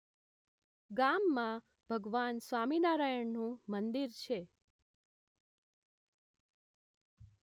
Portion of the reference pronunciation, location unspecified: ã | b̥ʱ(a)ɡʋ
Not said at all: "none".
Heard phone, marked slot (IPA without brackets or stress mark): ə